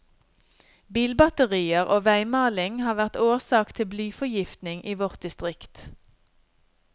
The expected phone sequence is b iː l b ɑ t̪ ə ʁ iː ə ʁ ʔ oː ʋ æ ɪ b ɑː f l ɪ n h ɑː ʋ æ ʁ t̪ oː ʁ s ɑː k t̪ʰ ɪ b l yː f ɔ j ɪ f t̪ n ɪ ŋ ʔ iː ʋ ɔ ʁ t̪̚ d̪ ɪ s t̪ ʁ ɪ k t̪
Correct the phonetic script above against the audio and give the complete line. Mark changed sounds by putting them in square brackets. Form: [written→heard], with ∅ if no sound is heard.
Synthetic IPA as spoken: b iː l b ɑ t̪ ə ʁ iː ə ʁ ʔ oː ʋ æ ɪ [b→m] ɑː [f→∅] l ɪ [n→ŋ] h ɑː ʋ æ ʁ t̪ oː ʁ s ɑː k t̪ʰ ɪ b l yː f ɔ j ɪ f t̪ n ɪ ŋ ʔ iː ʋ ɔ ʁ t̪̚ d̪ ɪ s t̪ ʁ ɪ k t̪

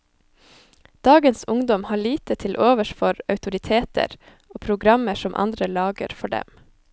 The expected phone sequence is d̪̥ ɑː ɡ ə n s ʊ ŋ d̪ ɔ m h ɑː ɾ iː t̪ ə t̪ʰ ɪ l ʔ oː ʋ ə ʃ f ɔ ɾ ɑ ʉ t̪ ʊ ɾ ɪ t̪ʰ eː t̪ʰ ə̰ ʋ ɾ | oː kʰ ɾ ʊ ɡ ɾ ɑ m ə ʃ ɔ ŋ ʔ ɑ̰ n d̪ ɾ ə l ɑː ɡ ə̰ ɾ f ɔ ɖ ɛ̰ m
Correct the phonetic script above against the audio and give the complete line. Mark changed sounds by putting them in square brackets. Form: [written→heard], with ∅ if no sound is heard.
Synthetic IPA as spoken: d̪̥ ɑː ɡ ə n s ʊ ŋ d̪ ɔ m h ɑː [ɾ→ɭ] iː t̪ ə t̪ʰ ɪ l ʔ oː ʋ ə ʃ f ɔ ɾ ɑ ʉ t̪ ʊ ɾ ɪ t̪ʰ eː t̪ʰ ə̰ [ʋ→∅] ɾ | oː [kʰ→pʰ] ɾ ʊ ɡ ɾ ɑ m ə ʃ ɔ [ŋ→m] ʔ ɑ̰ n d̪ ɾ ə l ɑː ɡ ə̰ ɾ f ɔ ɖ ɛ̰ m

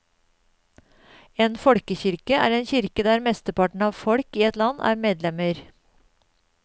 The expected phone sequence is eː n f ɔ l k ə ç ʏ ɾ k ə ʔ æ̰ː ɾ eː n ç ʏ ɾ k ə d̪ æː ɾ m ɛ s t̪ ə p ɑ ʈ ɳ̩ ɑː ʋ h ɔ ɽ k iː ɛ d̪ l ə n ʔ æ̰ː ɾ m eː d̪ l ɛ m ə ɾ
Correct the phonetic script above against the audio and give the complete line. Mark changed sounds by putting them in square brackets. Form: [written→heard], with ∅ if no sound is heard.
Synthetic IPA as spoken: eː n f ɔ [l→ɽ] k ə ç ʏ ɾ k ə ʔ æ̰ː ɾ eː n ç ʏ ɾ k ə d̪ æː ɾ m ɛ s t̪ ə p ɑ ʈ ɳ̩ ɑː ʋ [h→f] ɔ ɽ k iː ɛ [d̪→t̪] l [ə→ɑ] n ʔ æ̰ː ɾ m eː d̪ l ɛ m ə ɾ

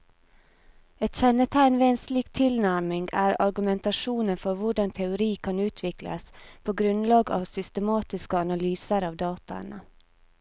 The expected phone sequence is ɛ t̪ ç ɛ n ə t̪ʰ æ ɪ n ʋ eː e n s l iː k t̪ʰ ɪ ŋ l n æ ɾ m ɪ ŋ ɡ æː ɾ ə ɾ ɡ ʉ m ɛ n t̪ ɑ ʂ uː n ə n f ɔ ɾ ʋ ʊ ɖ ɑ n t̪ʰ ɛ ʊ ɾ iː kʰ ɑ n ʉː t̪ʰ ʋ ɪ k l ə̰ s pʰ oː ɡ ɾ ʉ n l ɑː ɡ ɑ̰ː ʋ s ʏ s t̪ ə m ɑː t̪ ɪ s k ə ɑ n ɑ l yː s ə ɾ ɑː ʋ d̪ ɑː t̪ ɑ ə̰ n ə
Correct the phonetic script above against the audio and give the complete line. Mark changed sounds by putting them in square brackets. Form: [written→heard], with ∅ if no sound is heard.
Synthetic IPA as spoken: ɛ t̪ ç ɛ n ə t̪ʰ æ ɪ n ʋ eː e n s l iː k t̪ʰ ɪ [ŋ→∅] l n æ ɾ m ɪ ŋ ɡ æː ɾ [ə→ɑ] ɾ ɡ ʉ m ɛ n t̪ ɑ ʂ uː n ə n f ɔ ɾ ʋ ʊ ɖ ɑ n t̪ʰ ɛ ʊ ɾ iː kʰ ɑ n ʉː t̪ʰ ʋ ɪ k l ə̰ s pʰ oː ɡ ɾ ʉ n l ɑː ɡ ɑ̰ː ʋ s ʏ s t̪ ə m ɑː t̪ ɪ s k ə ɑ n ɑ l yː s ə ɾ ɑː ʋ d̪ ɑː t̪ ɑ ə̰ n ə

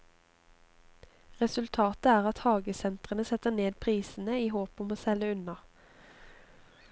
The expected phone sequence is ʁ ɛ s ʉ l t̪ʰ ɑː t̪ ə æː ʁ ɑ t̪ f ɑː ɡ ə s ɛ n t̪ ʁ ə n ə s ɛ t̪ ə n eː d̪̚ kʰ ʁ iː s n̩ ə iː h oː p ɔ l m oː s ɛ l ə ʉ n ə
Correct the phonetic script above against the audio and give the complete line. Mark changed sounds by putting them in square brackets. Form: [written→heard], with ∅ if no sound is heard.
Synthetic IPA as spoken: ʁ ɛ s ʉ l t̪ʰ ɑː t̪ ə æː ʁ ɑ t̪ [f→h] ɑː ɡ ə s ɛ n t̪ ʁ ə n ə s ɛ t̪ ə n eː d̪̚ [kʰ→pʰ] ʁ iː s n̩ ə iː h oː p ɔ [l→∅] m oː s ɛ l ə ʉ n [ə→ɑ]

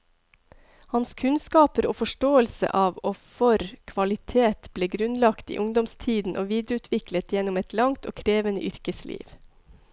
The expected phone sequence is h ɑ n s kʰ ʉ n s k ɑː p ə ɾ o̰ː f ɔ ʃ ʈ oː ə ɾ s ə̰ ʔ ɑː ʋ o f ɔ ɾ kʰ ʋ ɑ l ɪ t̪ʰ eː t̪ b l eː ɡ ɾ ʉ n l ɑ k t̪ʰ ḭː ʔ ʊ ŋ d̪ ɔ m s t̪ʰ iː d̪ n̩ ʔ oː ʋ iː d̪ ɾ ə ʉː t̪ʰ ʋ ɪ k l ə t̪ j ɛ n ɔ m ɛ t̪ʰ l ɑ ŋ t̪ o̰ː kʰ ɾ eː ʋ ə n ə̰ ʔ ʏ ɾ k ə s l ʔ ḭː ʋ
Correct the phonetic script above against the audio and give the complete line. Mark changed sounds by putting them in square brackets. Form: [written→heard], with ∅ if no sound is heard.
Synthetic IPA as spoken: h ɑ n s kʰ ʉ n s k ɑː p ə ɾ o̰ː f ɔ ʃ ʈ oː ə [ɾ→l] s ə̰ ʔ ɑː ʋ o f ɔ ɾ kʰ ʋ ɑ l ɪ t̪ʰ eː t̪ b l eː ɡ ɾ ʉ n l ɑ k [t̪ʰ→t̪] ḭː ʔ ʊ ŋ d̪ ɔ m s t̪ʰ iː d̪ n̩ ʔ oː ʋ iː d̪ ɾ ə ʉː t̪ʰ ʋ ɪ k l ə t̪ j ɛ n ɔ m ɛ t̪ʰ l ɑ ŋ t̪ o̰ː kʰ ɾ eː ʋ ə n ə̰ ʔ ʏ ɾ k ə s l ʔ ḭː ʋ

